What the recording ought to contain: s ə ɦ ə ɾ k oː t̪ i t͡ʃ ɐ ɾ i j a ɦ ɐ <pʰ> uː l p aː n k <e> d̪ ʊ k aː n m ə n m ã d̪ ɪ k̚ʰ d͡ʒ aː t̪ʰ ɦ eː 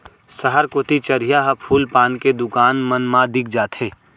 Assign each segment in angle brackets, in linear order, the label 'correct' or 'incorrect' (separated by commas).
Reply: correct, correct